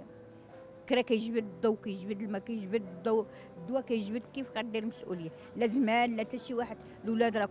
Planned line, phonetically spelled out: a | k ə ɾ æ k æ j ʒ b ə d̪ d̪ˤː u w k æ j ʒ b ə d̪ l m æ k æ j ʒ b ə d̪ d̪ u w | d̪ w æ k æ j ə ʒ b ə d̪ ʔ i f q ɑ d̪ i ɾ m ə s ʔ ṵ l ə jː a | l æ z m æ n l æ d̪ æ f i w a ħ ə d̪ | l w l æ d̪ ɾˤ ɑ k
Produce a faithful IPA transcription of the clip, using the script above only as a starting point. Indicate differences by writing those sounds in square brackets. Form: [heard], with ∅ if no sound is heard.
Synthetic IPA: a | k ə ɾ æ k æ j ʒ b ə d̪ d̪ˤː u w k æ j ʒ b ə d̪ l m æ k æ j ʒ b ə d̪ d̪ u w | d̪ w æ k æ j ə ʒ b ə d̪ [k] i f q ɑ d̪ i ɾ m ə s ʔ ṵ l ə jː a | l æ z m æ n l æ [t̪] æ [ʃ] i w a ħ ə d̪ | l w l æ d̪ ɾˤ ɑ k